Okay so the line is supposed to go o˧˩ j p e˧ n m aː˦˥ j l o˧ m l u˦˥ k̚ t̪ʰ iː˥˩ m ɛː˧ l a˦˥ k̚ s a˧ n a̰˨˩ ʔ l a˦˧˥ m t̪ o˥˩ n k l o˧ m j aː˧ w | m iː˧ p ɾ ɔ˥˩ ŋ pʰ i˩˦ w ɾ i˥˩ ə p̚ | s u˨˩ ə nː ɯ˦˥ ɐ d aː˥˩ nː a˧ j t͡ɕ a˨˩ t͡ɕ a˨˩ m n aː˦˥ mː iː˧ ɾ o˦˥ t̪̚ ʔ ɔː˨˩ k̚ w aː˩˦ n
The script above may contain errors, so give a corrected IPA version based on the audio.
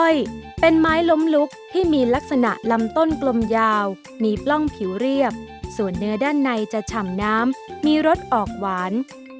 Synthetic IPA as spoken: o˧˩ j p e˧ n m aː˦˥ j l o˦˥ m l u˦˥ k̚ t̪ʰ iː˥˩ m iː˧ l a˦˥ k̚ s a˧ n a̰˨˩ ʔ l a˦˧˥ m t̪ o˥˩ n k l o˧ m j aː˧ w | m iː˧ p l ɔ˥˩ ŋ pʰ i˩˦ w ɾ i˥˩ ə p̚ | s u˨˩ ə nː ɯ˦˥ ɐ d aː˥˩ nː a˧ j t͡ɕ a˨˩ t͡ɕʰ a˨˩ m n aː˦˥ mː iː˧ ɾ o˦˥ t̪̚ ʔ ɔː˨˩ k̚ w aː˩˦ n